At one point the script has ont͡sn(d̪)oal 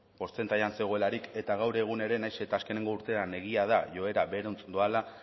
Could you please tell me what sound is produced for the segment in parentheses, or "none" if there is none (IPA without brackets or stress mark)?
d̪